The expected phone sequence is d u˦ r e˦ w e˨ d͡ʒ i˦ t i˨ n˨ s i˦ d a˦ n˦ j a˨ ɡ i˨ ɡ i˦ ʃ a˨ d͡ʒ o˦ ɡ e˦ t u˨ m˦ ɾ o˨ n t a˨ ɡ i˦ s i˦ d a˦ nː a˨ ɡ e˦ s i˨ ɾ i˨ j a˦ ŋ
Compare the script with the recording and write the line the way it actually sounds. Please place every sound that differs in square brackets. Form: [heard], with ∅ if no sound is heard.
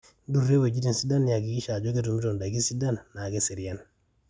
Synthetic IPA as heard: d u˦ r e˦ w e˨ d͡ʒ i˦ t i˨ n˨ s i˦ d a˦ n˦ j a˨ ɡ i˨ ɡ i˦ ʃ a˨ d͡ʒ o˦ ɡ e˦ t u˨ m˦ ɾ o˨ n [d] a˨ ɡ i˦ s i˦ d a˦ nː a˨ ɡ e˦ s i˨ ɾ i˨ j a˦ [n]

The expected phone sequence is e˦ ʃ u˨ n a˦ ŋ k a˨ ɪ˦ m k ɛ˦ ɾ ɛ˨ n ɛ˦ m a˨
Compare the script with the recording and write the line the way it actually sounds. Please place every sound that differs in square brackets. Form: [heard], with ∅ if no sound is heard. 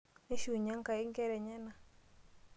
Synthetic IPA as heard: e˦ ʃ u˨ [ɲ] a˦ ŋ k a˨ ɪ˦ [ŋ] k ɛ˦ ɾ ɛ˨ [ɲ] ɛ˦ [n] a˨

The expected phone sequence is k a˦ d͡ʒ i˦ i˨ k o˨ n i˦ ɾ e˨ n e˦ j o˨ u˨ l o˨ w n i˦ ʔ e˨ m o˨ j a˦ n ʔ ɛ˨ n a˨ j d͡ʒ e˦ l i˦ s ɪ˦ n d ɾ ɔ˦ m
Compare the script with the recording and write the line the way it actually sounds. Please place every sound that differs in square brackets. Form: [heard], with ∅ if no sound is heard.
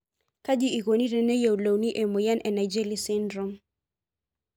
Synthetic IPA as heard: k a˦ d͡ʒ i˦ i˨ k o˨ n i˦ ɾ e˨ n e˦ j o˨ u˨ l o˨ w n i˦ ʔ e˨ m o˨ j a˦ n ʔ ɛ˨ n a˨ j d͡ʒ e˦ l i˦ s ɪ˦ n d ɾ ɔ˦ m

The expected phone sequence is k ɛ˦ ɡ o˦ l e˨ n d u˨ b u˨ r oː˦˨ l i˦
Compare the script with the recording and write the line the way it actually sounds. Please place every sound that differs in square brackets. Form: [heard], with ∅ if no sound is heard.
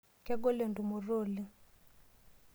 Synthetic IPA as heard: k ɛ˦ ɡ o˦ l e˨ n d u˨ [m] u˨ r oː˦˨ l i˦

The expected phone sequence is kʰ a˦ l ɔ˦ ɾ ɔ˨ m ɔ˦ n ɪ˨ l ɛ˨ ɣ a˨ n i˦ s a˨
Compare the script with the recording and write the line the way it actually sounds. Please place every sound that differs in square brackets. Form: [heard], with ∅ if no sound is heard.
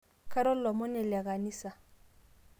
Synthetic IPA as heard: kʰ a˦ [ɾ] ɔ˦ [l] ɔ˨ m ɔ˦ n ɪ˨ l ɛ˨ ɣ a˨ n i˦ s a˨

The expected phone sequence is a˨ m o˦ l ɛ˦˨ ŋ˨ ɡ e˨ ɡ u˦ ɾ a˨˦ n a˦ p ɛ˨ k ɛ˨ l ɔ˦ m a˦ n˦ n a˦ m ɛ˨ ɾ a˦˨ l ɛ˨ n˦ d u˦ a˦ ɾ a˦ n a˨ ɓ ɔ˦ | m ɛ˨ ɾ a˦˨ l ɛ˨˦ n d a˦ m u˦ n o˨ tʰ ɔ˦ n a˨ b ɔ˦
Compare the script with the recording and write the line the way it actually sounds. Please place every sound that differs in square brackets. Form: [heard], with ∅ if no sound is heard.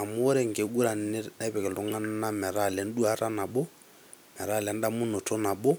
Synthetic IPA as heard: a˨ m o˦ [ɾ] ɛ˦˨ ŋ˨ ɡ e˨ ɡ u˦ ɾ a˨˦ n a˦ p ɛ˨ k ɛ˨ l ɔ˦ [ŋ] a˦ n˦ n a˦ m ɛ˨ ɾ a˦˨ l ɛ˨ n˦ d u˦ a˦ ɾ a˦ n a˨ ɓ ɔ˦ | m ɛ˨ ɾ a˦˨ l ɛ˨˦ n d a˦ m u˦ n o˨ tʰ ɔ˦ n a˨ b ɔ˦

